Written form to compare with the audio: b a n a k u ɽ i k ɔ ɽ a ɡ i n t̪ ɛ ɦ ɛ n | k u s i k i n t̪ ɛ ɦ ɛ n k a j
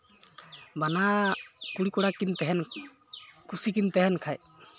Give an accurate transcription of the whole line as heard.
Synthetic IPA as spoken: b a n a k u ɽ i k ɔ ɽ a k i n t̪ ɛ ɦ ɛ n | k u s i k i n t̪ ɛ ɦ ɛ n kʰ a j